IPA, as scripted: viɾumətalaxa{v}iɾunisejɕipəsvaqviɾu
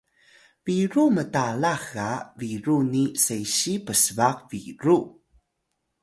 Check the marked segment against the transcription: correct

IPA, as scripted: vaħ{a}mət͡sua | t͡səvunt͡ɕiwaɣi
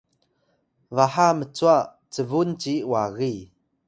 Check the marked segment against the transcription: correct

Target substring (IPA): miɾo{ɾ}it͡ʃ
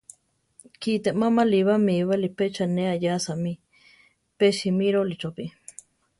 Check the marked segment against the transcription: incorrect: l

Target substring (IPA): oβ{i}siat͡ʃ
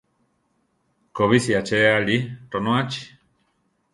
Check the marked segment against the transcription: correct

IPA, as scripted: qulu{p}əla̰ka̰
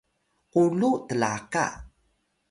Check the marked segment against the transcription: incorrect: t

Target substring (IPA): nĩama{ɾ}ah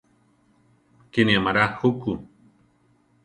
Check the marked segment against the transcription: correct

